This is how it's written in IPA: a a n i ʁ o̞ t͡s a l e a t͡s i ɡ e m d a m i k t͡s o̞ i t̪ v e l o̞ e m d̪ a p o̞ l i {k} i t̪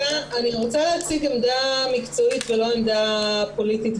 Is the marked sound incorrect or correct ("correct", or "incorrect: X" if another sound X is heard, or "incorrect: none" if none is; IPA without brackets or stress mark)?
incorrect: t